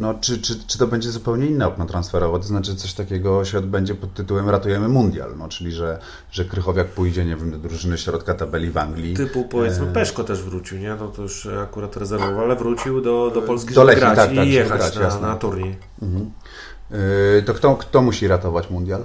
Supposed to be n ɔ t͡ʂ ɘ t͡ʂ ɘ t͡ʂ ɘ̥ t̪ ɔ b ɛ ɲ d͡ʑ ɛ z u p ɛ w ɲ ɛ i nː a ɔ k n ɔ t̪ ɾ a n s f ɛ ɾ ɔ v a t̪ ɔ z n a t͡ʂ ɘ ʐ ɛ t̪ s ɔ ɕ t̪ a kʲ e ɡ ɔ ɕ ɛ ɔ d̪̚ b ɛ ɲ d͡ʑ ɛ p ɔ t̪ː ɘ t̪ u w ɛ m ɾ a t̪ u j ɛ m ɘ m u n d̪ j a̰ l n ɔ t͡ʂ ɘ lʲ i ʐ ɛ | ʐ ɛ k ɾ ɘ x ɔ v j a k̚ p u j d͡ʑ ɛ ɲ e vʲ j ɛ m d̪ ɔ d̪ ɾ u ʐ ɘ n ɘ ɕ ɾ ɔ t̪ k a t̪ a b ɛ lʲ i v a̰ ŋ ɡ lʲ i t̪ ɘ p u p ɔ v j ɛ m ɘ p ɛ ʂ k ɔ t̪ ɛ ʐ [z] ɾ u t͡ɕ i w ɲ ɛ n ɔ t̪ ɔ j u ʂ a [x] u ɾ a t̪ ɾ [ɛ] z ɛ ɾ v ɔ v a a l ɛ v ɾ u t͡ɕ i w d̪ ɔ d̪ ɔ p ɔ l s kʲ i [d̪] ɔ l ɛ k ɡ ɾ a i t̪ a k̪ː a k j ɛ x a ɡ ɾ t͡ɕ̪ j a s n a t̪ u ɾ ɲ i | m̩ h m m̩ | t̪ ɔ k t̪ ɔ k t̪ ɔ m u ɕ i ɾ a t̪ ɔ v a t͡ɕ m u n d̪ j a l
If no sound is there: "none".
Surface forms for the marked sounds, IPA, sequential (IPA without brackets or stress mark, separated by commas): v, k, ɛ, d̪